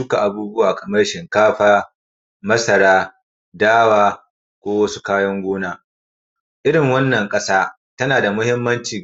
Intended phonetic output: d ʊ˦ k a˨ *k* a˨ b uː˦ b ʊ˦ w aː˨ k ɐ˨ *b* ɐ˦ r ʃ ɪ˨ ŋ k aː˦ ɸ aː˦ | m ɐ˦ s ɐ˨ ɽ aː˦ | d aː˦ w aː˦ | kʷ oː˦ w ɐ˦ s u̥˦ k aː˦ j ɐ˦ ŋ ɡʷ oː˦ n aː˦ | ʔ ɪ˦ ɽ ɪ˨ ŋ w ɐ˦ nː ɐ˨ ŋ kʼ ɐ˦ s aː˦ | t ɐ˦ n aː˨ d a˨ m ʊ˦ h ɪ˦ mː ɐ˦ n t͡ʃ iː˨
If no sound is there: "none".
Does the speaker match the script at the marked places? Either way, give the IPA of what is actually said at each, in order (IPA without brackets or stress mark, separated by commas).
ʔ, m